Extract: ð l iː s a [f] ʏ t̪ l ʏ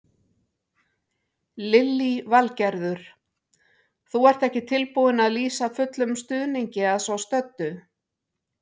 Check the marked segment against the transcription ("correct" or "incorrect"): correct